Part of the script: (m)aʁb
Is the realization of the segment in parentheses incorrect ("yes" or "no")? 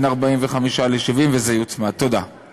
yes